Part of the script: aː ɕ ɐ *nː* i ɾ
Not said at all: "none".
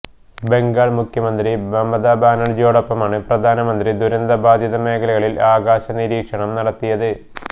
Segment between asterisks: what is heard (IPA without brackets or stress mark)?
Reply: n